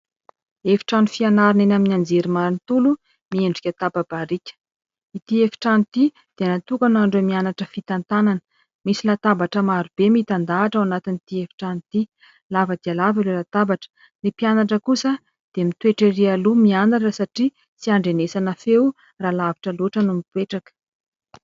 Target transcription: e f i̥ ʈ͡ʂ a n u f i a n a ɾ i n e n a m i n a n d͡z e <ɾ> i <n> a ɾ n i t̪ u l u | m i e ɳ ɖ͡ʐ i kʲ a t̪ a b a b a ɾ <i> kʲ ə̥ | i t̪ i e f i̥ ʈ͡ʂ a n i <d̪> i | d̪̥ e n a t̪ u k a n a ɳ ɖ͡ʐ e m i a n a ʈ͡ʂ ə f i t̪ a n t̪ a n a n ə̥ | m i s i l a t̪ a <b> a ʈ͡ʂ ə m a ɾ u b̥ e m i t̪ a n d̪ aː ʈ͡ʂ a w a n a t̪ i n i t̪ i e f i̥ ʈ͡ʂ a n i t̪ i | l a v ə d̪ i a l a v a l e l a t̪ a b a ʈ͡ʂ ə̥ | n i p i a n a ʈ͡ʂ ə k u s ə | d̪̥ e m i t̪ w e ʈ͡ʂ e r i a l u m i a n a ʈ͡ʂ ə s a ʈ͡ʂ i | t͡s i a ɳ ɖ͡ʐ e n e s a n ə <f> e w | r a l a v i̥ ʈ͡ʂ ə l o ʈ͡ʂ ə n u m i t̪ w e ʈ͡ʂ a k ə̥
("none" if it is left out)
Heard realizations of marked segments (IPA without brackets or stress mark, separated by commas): ɾ, m, i, t̪, b, f